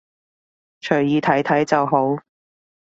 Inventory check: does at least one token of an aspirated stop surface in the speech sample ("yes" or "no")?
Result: yes